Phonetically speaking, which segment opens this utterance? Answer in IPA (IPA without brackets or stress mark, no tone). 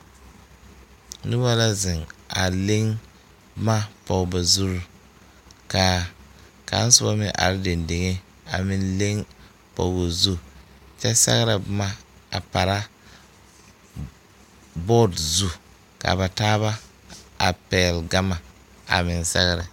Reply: n